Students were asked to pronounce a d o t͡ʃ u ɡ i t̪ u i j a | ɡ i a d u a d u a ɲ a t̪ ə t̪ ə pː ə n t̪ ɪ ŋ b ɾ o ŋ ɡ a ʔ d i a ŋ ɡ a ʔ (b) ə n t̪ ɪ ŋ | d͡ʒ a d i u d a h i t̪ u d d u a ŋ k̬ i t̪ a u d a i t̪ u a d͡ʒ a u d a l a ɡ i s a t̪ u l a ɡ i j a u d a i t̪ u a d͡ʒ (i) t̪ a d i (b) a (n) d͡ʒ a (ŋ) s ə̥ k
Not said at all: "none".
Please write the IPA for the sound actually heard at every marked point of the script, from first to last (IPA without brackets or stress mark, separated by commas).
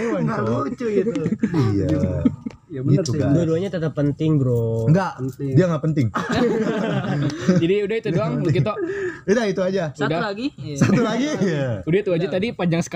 p, a, p, ɲ, ŋ